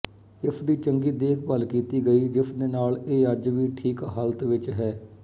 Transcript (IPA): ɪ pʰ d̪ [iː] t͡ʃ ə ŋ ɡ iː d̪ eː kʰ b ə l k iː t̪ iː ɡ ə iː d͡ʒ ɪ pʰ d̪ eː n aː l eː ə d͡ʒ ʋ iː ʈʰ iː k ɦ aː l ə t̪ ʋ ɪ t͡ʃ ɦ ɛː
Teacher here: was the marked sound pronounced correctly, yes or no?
yes